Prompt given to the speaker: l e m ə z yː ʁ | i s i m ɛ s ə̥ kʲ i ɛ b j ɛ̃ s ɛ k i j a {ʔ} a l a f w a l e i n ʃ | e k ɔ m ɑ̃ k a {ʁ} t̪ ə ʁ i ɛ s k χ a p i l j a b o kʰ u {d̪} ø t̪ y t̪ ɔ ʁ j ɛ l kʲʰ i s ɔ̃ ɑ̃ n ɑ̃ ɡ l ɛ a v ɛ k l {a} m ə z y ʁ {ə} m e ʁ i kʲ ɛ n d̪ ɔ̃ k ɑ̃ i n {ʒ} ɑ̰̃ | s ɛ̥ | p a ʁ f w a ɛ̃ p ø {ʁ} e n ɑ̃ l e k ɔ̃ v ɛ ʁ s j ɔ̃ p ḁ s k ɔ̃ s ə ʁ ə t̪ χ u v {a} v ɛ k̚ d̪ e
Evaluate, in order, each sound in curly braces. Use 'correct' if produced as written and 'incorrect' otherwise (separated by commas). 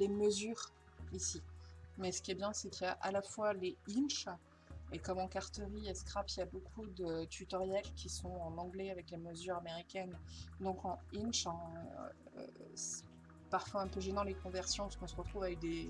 correct, correct, correct, incorrect, incorrect, incorrect, incorrect, correct